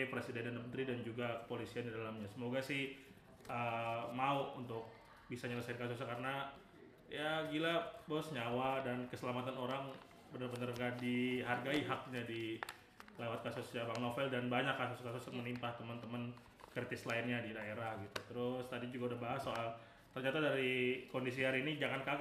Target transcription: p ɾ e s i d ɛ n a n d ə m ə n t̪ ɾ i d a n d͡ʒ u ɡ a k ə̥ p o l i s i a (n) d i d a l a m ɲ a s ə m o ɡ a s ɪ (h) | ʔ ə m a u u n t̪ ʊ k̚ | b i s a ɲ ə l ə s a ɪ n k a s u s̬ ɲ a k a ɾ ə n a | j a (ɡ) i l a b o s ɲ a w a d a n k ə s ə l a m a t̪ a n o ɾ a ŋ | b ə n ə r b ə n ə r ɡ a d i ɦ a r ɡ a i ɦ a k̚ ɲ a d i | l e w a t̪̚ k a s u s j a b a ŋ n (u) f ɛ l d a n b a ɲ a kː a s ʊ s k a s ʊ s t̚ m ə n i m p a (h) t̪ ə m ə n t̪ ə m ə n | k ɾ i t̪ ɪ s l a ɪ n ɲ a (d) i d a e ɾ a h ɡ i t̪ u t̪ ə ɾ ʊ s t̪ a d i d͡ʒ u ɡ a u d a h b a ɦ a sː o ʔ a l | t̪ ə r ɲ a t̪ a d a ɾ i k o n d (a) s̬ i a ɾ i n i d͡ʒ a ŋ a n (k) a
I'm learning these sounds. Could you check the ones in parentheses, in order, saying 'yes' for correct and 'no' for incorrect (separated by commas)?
yes, yes, yes, no, yes, yes, no, yes